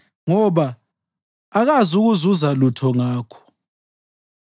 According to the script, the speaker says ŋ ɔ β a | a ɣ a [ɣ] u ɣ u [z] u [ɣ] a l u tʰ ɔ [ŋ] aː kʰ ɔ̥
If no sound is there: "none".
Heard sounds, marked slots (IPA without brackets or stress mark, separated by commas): z, z, z, ŋ